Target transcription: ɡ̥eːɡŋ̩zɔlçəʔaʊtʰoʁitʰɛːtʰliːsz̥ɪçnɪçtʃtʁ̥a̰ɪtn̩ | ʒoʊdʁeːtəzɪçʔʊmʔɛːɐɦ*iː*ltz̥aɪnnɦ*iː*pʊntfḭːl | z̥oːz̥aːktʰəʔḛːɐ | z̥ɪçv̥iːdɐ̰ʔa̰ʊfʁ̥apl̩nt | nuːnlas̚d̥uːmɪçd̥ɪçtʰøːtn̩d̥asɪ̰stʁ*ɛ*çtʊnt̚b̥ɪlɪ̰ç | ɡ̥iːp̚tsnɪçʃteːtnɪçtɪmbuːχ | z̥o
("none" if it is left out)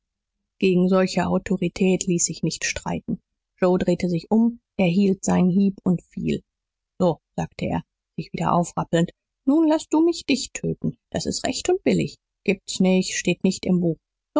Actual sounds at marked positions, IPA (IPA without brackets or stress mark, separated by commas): iː, iː, ɛ